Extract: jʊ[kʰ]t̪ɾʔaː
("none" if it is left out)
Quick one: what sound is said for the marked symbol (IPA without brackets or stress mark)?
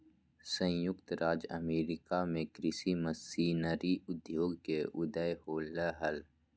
k